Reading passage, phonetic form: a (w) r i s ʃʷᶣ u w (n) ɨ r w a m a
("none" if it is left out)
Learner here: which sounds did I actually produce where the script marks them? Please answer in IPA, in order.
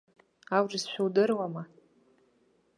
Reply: w, d

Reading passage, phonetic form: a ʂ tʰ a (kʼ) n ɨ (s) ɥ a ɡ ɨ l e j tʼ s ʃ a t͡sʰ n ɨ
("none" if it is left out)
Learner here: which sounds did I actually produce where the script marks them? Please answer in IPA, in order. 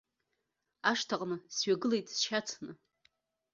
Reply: qʼ, s

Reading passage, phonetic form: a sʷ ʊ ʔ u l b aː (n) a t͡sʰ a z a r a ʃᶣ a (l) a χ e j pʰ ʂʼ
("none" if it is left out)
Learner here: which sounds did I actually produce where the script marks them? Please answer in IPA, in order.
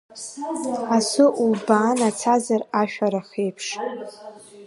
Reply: n, ɾ

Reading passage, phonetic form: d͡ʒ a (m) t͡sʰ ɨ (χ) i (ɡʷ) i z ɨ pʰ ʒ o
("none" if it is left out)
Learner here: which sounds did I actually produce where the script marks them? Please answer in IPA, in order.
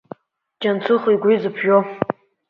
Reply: n, χ, ɡʷ

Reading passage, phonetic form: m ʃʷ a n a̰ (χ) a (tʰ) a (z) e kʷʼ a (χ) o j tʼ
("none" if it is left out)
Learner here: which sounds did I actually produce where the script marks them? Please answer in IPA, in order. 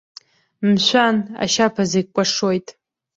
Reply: ʃ, pʰ, z, ʂ

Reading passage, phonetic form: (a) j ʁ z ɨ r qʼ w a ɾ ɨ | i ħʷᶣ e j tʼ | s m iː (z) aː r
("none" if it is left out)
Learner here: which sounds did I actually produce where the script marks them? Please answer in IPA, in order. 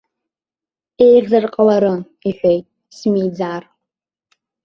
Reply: e, d͡z

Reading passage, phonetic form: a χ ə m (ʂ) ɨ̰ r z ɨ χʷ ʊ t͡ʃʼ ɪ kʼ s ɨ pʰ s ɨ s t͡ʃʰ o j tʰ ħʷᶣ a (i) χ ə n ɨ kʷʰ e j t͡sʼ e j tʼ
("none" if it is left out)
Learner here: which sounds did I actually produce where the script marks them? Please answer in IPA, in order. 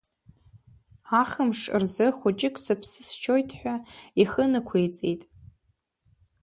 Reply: ʂ, i

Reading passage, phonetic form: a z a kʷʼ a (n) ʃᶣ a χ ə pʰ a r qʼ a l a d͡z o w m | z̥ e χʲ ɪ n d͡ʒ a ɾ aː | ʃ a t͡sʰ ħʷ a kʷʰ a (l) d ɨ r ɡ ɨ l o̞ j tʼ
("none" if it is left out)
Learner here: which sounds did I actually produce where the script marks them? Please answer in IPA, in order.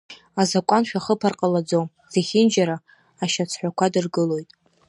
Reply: n, none

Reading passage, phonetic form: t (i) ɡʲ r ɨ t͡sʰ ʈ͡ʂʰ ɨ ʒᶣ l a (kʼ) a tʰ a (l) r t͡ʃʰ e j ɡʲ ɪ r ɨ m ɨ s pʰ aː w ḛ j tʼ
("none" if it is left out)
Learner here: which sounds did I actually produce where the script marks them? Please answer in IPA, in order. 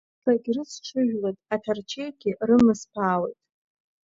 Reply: a, tʼ, none

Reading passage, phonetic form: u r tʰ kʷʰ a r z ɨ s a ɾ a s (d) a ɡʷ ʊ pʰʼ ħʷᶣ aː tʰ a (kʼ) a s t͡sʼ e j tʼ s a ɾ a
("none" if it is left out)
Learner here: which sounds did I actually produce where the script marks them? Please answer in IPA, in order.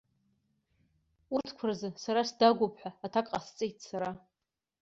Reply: d, kʼ

